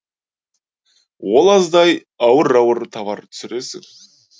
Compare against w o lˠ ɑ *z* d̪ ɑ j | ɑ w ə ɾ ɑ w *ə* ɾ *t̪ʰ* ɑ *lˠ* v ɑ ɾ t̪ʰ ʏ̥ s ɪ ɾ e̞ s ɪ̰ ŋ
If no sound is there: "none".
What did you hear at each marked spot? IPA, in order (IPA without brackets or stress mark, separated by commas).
z, ə, t̪ʰ, none